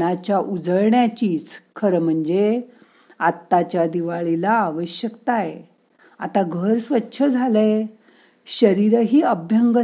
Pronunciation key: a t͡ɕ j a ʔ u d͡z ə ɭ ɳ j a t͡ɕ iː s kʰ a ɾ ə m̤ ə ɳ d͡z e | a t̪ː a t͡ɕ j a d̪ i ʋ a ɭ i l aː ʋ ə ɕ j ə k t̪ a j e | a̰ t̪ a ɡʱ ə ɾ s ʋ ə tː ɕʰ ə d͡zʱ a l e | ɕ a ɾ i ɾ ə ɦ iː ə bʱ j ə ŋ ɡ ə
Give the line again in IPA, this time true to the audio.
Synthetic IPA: a t͡ɕ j a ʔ u d͡z ə ɭ ɳ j a t͡ɕ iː t͡s kʰ ə ɾ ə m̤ ə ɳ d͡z e | a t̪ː a t͡ɕ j a d̪ i ʋ a ɭ i l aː ʋ ə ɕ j ə k t̪ a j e | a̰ t̪ a ɡʱ ə ɾ s ʋ ə tː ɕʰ ə d͡zʱ a l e | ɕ ə ɾ i ɾ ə ɦ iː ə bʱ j ə ŋ ɡ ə